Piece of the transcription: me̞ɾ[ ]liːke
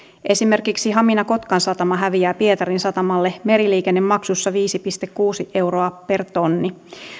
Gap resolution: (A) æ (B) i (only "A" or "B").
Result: B